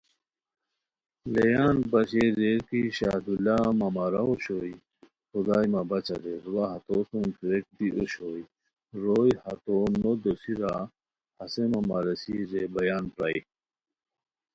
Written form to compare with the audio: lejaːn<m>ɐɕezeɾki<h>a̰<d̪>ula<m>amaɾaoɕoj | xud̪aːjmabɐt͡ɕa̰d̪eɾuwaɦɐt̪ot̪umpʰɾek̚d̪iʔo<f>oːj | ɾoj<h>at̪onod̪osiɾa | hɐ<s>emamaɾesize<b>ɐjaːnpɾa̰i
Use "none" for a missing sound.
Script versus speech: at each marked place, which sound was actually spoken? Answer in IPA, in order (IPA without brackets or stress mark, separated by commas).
b, ɕ, d̪, m, ɕ, h, s, b